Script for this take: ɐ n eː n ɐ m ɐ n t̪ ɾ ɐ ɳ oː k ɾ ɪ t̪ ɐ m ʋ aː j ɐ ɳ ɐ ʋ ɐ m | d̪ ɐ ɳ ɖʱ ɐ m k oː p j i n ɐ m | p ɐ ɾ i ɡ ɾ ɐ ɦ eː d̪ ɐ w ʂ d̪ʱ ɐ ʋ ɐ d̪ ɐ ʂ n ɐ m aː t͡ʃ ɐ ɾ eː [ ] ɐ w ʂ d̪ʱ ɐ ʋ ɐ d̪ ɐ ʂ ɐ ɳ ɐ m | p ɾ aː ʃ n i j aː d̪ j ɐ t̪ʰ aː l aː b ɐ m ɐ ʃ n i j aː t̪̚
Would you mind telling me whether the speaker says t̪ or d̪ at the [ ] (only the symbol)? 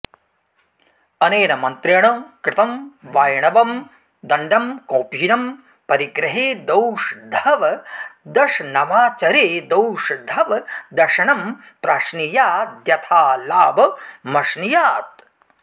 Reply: d̪